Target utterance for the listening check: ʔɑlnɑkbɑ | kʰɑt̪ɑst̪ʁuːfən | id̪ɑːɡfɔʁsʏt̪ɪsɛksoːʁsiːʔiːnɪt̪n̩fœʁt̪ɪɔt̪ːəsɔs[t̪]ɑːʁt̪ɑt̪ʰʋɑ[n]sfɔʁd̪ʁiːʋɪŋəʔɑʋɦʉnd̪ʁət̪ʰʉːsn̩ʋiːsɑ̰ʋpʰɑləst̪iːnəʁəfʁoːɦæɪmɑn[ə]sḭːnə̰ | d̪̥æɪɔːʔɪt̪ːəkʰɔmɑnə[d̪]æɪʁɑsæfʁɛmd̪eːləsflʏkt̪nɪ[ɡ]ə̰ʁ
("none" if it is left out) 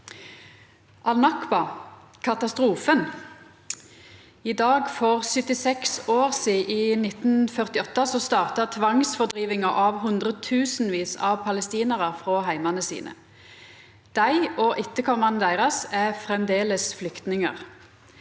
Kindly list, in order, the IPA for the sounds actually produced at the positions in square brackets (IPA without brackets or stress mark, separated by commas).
t̪, ŋ, ə, d̪, ŋ